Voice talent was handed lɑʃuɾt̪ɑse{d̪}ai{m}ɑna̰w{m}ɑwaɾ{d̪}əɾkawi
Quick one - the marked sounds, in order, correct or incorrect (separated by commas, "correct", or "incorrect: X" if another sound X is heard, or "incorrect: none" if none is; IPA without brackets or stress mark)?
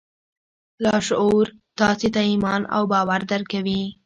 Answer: incorrect: t̪, correct, incorrect: b, correct